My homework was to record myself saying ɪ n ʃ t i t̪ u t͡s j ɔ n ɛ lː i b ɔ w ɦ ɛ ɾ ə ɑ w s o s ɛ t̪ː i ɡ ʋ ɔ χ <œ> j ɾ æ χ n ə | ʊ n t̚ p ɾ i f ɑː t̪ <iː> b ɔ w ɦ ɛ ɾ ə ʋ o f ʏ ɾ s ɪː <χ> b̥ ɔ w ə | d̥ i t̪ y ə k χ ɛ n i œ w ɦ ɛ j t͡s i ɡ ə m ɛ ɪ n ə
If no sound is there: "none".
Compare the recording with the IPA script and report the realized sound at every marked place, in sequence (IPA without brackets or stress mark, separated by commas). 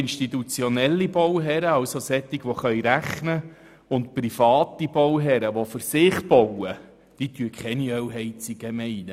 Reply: œ, i, χ